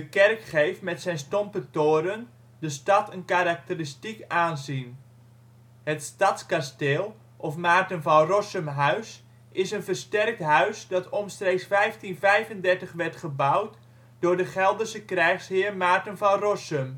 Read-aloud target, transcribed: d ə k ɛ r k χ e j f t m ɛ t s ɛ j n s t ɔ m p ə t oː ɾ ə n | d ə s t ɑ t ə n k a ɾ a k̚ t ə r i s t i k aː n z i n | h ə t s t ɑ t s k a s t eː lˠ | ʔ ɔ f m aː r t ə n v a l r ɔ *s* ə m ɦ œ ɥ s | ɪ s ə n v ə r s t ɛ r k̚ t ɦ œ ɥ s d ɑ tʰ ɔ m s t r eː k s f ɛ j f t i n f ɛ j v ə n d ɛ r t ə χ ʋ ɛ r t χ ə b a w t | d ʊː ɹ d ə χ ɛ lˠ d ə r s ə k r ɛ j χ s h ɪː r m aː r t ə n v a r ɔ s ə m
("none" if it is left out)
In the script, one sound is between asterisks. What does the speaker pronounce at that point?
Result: s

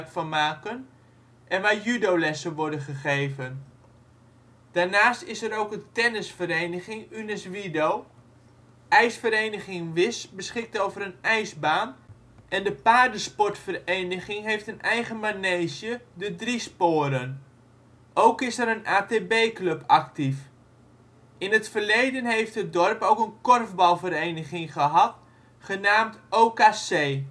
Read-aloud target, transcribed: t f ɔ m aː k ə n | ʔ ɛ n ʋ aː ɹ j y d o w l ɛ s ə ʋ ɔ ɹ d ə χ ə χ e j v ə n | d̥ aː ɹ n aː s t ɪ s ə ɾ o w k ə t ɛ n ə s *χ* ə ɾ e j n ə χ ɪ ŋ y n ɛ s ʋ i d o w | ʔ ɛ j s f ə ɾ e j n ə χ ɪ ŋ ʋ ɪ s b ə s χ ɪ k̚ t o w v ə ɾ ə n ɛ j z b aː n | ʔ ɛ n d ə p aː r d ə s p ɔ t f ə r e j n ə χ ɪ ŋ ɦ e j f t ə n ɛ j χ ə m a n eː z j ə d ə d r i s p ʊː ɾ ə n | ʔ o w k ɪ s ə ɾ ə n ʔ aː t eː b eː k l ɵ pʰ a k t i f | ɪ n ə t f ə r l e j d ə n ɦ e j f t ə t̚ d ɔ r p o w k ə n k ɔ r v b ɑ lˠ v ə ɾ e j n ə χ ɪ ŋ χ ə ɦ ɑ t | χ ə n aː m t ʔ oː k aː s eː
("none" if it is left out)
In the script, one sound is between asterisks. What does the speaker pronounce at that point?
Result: f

